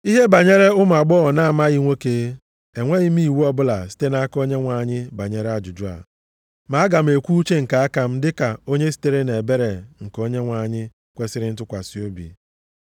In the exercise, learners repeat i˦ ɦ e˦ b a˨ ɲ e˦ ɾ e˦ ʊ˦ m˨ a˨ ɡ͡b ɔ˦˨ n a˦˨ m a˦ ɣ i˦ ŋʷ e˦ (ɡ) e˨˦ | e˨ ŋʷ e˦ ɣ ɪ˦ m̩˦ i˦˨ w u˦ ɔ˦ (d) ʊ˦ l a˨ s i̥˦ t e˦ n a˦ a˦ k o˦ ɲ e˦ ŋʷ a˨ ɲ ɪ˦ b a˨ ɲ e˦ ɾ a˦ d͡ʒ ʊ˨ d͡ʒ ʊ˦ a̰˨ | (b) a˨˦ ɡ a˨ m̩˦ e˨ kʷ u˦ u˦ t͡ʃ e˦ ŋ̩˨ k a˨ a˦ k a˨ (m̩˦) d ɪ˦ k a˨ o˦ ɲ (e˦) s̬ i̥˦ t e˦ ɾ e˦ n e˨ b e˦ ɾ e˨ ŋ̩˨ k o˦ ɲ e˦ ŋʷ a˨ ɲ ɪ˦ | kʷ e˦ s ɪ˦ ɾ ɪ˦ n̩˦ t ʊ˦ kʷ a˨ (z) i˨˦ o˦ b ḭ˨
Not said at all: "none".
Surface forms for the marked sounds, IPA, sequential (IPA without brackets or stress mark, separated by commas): k, b, m, m̩˦, e˦, s